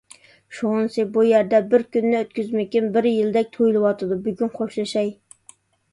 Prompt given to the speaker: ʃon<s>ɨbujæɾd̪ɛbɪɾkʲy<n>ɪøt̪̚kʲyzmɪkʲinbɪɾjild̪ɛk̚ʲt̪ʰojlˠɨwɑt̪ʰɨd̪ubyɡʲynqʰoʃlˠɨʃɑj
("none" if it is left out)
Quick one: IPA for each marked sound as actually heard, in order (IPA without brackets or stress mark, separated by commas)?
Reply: s, nː